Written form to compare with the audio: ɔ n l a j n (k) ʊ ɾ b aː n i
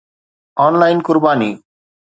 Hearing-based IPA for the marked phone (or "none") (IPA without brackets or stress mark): k